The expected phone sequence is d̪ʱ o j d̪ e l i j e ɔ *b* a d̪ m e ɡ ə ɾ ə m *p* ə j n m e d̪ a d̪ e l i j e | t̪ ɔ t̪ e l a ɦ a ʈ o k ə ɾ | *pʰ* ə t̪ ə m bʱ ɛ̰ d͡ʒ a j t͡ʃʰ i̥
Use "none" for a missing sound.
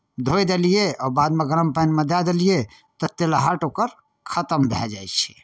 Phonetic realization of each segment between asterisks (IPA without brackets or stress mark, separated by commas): b, p, kʰ